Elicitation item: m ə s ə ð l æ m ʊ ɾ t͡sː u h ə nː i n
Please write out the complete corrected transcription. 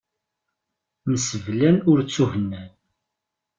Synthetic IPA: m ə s ə v l æ n ʊ ɾ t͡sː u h ə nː æ n